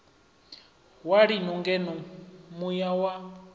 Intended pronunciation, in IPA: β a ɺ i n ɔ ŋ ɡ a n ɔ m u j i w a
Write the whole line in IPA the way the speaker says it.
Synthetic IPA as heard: w a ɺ i n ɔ ŋ ɡ ɛ n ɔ m u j a w a